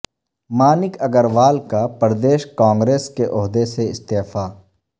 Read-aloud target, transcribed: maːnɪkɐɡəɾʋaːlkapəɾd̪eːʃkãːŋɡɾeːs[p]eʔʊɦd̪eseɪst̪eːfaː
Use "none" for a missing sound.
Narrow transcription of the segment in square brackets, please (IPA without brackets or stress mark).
k